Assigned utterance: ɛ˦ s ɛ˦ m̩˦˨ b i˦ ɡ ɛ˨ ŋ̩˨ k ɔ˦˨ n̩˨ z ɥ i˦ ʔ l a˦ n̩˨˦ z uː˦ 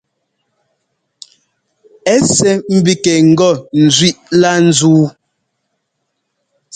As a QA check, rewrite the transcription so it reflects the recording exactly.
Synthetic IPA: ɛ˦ s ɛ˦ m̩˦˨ b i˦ k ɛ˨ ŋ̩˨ ɡ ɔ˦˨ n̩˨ z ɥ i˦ ʔ l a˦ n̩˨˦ z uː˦